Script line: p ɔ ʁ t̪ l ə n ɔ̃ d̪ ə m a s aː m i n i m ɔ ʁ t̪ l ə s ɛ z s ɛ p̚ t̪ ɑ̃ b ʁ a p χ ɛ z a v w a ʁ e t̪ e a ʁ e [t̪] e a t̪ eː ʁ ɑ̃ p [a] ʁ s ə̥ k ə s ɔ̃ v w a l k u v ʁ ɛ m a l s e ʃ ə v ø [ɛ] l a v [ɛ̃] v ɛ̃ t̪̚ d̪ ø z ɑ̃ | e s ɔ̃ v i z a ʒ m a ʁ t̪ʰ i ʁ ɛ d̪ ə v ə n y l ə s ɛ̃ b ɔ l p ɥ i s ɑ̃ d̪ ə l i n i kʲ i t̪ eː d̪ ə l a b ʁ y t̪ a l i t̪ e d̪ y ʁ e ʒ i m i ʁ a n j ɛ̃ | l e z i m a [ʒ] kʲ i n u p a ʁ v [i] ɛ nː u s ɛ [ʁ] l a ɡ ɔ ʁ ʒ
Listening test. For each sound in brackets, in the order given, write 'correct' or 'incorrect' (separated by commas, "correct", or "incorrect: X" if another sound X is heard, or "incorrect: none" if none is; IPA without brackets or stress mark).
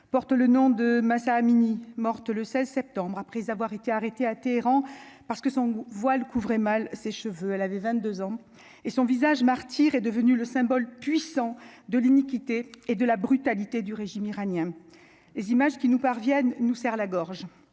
correct, correct, correct, incorrect: ɛ, correct, incorrect: j, correct